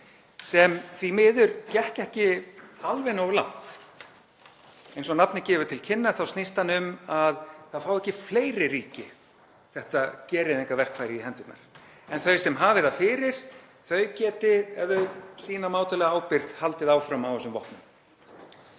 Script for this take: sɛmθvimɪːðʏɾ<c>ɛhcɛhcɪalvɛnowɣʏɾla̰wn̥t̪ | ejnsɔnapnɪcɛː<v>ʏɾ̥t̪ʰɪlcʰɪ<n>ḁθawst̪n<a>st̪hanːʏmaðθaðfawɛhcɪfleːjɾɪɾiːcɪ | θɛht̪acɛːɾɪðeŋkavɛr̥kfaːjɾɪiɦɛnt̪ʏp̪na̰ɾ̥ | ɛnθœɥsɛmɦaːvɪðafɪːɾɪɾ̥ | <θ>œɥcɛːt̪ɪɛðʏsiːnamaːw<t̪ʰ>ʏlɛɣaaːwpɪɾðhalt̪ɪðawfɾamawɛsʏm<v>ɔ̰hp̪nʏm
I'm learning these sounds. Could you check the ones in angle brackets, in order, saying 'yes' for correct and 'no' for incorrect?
yes, yes, no, no, yes, no, yes

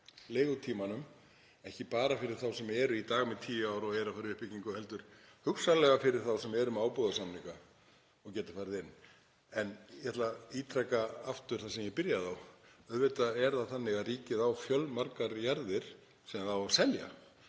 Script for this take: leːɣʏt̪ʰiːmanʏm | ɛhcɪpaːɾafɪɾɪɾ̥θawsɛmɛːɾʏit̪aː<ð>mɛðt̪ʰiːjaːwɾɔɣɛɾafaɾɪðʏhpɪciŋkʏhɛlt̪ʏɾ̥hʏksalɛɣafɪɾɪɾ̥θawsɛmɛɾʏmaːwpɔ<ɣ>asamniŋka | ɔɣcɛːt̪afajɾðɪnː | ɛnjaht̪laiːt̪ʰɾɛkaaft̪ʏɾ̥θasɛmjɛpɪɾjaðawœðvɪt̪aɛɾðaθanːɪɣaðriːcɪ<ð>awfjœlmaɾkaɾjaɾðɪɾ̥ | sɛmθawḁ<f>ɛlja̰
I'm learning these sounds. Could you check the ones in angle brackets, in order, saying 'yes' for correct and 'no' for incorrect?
no, no, yes, no

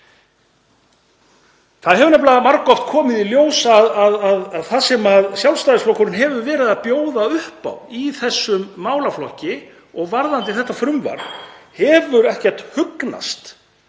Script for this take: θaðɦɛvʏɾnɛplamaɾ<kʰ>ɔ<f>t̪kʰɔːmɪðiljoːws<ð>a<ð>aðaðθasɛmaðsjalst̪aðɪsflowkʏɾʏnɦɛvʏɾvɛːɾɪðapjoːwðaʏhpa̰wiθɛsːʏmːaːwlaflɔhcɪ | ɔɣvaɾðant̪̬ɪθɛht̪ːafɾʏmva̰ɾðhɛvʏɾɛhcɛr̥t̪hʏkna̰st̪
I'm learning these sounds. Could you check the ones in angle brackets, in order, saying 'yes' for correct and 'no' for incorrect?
no, yes, yes, yes

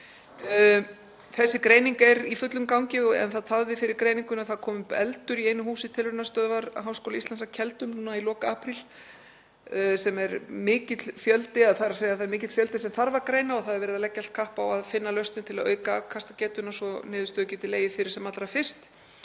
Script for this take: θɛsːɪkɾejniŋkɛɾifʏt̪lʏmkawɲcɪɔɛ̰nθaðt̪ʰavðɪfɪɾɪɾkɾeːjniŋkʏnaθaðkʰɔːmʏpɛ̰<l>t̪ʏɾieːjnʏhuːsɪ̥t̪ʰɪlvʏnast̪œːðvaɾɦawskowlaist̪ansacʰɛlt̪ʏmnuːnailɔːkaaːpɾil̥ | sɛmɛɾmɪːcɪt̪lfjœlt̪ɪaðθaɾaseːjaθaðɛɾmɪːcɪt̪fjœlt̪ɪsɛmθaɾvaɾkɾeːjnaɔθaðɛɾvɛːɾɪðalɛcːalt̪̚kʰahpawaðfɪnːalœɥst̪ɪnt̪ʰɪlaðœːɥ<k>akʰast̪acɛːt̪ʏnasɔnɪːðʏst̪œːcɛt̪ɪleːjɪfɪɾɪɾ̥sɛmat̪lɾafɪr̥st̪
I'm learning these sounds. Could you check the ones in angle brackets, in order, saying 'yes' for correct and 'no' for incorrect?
yes, yes

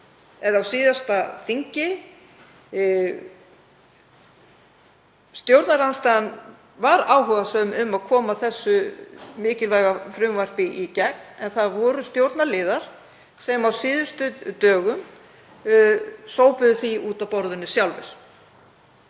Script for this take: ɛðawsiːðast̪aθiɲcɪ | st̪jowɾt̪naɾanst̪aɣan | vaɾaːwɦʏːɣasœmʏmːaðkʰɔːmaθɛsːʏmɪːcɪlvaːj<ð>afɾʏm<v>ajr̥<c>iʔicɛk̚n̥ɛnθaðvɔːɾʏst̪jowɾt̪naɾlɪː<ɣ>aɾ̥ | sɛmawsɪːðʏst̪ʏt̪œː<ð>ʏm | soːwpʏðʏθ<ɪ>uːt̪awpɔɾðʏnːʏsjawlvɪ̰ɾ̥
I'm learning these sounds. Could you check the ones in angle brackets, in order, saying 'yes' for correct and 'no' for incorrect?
no, yes, no, no, no, no

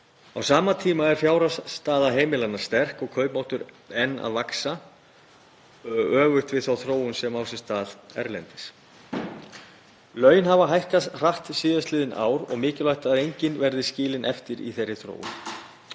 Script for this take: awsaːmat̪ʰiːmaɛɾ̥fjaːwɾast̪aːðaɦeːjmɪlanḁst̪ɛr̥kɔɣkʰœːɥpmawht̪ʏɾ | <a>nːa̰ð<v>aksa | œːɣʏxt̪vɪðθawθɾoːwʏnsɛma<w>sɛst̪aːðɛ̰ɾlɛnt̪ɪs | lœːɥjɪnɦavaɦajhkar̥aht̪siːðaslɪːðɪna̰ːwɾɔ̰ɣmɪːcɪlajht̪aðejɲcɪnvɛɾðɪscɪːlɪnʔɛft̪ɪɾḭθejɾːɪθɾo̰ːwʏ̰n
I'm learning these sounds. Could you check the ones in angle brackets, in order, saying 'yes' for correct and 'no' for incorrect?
no, yes, yes

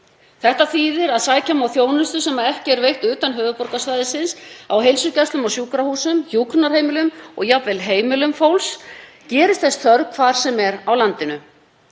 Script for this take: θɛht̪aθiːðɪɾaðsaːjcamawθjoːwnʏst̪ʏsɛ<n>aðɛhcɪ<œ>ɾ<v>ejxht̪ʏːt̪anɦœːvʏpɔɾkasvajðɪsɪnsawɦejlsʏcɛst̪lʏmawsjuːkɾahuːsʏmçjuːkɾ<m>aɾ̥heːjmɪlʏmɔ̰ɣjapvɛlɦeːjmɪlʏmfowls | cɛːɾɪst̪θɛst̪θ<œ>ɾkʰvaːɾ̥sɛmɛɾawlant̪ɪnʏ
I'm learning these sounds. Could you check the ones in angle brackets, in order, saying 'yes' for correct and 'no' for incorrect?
no, no, yes, no, yes

